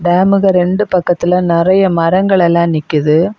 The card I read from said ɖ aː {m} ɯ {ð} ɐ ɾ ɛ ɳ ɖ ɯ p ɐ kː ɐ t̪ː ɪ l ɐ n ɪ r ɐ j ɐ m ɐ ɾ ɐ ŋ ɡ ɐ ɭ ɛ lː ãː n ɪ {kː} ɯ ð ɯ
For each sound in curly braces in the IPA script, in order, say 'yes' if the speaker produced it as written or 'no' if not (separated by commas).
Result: yes, no, yes